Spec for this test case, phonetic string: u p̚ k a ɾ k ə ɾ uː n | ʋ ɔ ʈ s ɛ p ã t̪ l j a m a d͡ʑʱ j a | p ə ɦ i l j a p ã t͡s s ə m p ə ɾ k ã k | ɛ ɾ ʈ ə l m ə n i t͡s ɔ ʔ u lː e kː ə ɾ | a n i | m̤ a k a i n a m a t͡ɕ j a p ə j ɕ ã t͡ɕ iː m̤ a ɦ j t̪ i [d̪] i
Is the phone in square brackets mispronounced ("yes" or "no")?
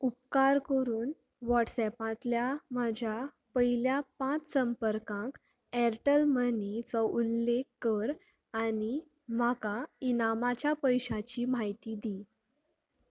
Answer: no